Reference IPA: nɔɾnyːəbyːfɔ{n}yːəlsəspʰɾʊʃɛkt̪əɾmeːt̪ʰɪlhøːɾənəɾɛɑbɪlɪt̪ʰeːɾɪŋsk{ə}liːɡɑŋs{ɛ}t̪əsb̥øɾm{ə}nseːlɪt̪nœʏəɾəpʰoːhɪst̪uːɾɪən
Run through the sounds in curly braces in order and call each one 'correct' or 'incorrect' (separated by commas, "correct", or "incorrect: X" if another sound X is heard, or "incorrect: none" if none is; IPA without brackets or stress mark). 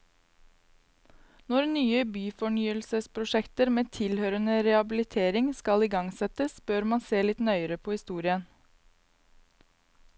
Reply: incorrect: ɳ, incorrect: ɑ, correct, incorrect: ɑ